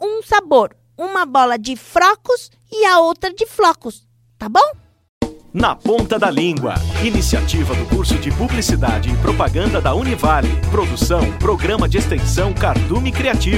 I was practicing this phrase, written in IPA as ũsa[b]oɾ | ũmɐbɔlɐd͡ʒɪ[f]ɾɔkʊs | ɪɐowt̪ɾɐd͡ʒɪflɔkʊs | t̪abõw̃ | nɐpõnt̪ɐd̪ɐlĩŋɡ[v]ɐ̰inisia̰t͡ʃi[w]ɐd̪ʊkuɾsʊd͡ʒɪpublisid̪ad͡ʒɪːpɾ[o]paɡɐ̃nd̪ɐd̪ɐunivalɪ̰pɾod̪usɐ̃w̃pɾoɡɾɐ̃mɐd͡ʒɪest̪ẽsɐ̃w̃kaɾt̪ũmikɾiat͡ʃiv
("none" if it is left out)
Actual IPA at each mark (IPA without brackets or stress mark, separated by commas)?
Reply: b, f, w, v, o